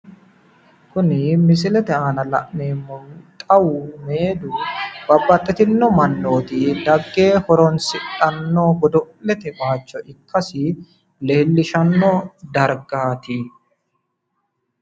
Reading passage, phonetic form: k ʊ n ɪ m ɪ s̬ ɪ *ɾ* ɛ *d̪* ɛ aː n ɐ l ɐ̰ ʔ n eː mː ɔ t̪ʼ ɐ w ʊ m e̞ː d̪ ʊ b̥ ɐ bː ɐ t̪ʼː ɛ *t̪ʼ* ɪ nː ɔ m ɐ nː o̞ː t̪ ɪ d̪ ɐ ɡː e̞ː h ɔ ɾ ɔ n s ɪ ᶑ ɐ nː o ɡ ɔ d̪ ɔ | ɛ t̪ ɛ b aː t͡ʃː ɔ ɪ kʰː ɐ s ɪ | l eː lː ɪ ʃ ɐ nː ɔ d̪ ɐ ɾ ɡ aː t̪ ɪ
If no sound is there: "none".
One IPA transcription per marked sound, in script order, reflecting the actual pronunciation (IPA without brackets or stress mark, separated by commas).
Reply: l, t̪, t̪